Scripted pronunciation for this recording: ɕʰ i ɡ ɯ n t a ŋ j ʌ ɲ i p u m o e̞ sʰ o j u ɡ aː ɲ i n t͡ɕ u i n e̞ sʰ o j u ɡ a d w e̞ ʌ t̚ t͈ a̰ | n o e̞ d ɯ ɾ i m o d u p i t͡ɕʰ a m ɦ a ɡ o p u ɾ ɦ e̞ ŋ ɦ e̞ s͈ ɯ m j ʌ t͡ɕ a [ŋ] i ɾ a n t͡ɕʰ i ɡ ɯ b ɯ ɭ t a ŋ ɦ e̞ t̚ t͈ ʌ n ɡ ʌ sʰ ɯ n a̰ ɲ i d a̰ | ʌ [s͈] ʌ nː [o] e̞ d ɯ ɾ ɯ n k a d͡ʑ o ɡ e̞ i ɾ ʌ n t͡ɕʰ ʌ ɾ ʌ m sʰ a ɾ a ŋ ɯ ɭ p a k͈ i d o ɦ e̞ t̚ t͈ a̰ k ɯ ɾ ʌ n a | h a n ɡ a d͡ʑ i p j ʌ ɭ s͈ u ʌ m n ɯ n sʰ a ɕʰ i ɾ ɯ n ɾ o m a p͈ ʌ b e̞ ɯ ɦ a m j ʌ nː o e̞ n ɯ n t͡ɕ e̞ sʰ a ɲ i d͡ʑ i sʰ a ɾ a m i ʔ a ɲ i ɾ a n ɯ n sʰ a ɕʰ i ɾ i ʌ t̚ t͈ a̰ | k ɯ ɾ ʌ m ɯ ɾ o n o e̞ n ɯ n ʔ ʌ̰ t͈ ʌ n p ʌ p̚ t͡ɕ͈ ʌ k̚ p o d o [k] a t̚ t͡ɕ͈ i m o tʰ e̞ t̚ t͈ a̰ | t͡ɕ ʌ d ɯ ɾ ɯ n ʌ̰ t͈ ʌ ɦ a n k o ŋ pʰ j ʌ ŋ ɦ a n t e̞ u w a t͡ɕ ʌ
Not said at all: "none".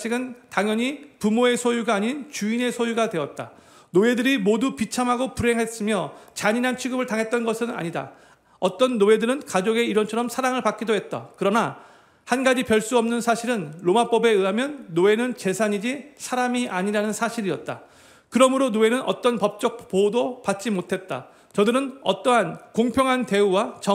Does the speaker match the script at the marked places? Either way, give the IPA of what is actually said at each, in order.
ɲ, t͈, o, p

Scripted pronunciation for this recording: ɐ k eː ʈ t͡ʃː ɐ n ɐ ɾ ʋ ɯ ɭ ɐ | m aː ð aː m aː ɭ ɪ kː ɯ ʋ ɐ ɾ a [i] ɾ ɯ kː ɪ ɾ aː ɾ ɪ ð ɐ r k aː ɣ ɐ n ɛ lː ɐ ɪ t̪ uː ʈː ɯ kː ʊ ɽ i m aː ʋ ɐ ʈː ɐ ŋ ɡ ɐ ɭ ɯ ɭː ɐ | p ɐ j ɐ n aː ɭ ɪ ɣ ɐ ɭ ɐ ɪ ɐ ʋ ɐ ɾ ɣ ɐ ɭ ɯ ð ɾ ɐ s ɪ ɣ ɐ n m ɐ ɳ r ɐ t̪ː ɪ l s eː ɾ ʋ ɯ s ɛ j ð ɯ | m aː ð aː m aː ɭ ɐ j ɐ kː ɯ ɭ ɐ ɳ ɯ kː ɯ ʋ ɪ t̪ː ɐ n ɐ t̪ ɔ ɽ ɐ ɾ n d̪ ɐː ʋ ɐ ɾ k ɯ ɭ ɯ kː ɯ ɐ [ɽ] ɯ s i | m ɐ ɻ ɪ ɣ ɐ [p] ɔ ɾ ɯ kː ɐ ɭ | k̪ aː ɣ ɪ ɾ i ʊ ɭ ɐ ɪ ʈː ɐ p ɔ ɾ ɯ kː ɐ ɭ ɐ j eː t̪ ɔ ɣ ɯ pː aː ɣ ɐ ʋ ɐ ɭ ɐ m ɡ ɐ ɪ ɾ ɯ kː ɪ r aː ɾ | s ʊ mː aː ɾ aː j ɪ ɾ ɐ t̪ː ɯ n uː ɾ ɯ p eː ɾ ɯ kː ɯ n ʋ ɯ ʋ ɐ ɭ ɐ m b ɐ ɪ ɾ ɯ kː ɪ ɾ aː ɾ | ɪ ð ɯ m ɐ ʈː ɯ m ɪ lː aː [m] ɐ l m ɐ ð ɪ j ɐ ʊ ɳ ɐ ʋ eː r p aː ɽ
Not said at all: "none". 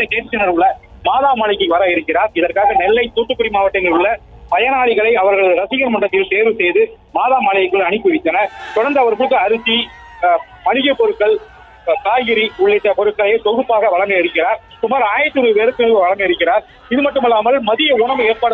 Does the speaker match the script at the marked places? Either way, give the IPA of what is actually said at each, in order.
ɪ, ɾ, p, m

